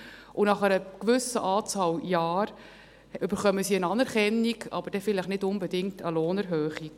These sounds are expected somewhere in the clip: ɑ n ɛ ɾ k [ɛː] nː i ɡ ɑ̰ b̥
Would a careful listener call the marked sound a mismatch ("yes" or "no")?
yes